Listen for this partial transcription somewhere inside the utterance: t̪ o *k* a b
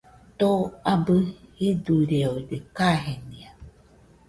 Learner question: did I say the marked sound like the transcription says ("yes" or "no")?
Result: no